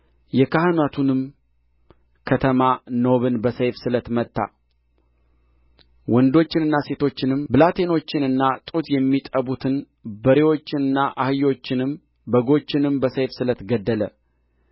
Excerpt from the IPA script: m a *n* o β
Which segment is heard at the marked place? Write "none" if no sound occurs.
n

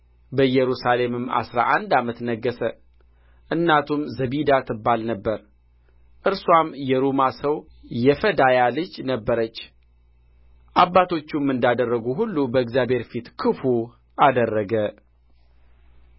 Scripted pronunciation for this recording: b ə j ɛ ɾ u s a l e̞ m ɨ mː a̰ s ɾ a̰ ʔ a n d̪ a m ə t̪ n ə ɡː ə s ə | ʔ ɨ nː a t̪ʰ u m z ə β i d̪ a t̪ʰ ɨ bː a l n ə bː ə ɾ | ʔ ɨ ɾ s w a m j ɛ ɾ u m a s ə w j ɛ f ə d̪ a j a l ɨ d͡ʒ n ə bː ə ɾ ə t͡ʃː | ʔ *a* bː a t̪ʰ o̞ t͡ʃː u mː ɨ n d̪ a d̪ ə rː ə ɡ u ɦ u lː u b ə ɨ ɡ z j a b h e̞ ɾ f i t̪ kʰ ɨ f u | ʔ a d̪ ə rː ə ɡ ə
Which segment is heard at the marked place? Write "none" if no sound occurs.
a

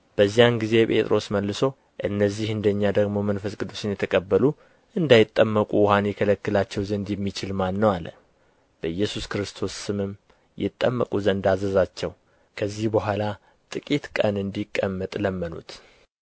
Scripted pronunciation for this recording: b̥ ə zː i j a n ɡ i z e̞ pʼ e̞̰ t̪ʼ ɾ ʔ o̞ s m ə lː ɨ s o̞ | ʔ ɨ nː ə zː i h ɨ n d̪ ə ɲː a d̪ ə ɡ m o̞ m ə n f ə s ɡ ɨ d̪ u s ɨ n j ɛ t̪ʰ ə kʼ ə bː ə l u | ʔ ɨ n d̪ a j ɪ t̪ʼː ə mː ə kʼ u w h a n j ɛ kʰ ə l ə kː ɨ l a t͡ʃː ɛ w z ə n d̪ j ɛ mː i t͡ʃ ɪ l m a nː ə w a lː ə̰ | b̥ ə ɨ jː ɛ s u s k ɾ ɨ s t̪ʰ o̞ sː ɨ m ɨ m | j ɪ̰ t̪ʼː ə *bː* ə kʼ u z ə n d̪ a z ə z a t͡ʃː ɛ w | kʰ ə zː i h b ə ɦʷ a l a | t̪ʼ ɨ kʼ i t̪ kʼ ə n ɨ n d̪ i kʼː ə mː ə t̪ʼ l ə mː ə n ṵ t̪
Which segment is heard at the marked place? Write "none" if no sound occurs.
mː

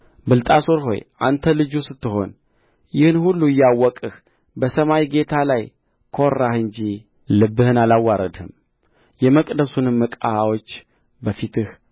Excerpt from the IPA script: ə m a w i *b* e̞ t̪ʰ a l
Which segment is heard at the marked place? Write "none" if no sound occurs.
ɡ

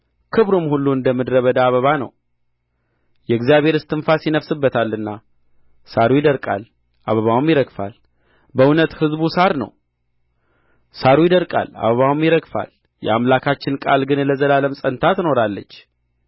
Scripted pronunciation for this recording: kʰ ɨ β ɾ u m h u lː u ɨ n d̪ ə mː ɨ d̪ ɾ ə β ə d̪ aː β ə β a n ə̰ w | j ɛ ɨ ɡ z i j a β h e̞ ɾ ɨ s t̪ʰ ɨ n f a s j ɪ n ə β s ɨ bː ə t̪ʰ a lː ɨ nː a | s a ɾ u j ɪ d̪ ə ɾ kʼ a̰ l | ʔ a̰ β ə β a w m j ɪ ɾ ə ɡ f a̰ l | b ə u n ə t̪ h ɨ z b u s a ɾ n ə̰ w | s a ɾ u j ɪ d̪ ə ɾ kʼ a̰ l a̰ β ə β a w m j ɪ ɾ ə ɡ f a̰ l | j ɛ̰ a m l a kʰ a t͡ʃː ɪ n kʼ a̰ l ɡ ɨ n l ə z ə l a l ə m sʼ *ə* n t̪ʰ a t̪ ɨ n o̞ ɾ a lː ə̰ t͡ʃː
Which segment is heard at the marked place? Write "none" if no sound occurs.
ə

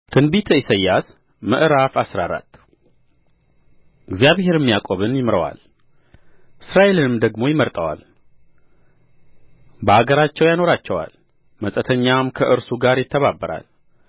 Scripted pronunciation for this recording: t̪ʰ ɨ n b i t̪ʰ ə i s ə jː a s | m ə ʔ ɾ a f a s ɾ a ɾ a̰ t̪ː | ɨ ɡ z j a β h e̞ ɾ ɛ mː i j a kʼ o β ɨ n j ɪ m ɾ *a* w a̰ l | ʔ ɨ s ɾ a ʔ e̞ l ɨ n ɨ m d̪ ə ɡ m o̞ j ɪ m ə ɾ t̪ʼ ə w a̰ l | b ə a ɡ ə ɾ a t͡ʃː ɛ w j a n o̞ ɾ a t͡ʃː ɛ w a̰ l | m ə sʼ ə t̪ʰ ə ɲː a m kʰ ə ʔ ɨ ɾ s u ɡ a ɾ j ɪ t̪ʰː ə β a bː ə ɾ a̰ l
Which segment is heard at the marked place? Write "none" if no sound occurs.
ə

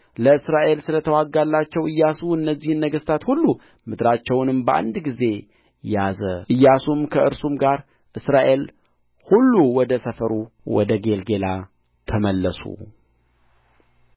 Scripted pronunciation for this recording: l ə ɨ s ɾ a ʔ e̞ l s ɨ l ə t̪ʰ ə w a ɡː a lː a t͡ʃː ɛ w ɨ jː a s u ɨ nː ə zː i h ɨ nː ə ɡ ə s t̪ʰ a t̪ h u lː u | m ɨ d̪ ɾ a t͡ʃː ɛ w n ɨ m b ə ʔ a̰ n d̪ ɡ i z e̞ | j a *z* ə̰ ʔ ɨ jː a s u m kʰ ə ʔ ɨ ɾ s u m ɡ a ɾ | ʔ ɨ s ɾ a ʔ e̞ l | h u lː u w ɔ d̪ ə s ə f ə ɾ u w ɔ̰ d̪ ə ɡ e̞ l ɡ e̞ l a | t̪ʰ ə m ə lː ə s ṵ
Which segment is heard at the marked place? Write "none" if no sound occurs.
z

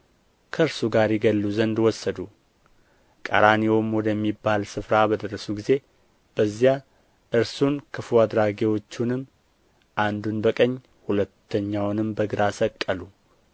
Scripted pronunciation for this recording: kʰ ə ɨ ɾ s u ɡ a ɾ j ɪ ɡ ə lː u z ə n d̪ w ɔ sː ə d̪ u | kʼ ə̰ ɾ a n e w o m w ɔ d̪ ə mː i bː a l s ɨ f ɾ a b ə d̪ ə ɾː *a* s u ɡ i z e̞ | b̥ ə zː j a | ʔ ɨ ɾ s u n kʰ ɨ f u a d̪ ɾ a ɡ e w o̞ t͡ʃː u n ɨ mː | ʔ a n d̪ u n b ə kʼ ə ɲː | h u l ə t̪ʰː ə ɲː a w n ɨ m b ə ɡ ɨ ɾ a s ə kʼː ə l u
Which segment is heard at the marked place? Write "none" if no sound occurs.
ə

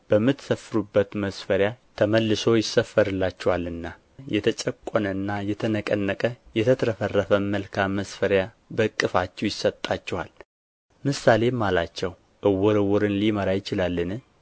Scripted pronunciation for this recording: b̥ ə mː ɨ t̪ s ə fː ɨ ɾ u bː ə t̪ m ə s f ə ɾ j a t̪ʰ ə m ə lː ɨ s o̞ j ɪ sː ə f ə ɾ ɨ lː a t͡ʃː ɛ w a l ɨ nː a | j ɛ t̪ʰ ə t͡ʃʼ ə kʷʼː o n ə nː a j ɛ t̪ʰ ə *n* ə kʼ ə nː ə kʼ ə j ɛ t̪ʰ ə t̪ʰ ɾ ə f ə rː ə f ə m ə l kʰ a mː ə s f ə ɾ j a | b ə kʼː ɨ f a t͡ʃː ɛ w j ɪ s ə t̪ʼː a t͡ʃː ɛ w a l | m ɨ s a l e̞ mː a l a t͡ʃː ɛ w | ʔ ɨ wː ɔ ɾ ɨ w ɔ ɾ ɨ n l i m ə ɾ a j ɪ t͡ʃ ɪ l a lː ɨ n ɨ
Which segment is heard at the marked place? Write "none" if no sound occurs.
n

